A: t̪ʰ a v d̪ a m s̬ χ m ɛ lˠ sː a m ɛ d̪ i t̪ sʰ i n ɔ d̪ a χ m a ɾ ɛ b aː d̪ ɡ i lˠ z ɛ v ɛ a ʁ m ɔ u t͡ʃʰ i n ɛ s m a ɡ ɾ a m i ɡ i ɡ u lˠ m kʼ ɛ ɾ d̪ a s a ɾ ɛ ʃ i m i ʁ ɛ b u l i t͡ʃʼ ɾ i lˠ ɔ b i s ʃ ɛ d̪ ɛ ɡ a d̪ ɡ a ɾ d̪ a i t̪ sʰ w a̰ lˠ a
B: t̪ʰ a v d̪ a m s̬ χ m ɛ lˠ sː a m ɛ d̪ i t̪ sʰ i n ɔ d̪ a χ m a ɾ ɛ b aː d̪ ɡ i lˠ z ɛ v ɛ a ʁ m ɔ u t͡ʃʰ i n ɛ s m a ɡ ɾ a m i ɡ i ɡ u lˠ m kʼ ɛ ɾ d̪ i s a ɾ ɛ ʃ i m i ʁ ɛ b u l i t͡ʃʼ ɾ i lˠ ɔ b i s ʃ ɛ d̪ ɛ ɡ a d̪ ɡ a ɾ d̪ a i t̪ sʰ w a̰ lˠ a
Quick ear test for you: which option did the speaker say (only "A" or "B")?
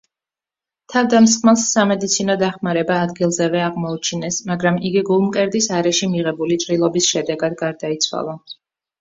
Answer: B